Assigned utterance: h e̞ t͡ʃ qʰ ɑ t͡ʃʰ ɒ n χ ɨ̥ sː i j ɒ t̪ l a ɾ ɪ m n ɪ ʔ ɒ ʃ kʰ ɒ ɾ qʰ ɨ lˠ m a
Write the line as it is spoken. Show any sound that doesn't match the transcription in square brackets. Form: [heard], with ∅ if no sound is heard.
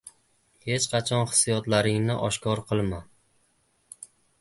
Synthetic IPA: h e̞ t͡ʃ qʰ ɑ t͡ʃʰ ɒ n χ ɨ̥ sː i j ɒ t̪ l a ɾ ɪ [ŋ] n ɪ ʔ ɒ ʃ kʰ ɒ ɾ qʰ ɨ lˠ m a